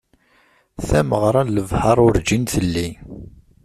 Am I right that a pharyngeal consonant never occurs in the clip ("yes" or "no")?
yes